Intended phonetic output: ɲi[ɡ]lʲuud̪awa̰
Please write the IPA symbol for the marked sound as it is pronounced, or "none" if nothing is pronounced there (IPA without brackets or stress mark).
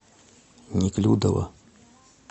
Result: k